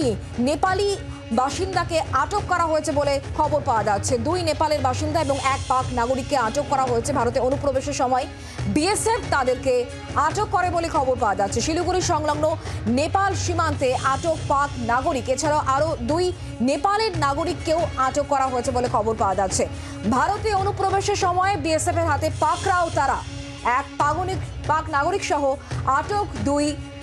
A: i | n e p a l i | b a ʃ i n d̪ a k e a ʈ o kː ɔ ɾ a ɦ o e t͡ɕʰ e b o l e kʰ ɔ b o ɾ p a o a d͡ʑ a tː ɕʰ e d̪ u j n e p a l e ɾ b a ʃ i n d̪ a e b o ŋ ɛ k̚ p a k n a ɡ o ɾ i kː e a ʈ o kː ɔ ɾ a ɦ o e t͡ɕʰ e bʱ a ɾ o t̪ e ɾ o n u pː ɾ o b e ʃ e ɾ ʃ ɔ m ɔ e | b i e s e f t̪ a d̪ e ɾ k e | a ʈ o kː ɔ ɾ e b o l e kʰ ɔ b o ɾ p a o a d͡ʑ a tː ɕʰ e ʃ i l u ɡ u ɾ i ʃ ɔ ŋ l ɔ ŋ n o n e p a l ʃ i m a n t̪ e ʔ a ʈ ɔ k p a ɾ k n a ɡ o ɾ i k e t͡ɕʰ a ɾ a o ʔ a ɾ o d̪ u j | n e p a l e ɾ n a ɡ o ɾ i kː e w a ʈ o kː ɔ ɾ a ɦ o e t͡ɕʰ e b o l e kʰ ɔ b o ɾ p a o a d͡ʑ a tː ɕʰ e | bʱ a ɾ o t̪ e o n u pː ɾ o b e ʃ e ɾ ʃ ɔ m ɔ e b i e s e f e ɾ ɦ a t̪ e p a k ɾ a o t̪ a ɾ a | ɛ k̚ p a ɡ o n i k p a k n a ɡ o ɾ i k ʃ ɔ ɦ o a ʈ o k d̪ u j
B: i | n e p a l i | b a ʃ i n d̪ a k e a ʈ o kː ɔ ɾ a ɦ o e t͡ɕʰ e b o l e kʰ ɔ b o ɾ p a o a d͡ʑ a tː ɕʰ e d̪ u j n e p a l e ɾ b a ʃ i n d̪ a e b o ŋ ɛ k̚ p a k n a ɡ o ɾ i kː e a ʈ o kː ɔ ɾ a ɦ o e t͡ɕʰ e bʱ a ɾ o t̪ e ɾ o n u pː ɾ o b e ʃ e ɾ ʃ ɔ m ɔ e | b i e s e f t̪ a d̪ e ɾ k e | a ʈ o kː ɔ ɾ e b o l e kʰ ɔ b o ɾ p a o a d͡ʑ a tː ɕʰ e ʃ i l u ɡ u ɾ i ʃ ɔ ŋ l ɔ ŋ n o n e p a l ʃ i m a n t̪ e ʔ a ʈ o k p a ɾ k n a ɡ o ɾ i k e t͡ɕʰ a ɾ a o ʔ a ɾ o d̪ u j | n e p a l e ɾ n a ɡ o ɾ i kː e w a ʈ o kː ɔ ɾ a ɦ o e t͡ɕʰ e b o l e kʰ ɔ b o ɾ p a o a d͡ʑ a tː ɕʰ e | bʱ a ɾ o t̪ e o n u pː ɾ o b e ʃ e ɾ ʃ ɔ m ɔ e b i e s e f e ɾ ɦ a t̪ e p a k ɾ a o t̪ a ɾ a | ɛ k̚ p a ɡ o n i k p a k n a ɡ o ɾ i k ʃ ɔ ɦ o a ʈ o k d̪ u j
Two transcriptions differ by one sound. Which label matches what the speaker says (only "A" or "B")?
B